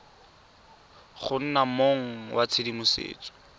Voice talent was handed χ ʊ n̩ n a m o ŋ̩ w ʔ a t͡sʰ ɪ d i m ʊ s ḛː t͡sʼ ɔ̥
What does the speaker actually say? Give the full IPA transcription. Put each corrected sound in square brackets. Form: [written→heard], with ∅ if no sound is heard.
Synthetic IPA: χ ʊ n̩ n a m o ŋ̩ w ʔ a t͡sʰ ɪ d i m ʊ s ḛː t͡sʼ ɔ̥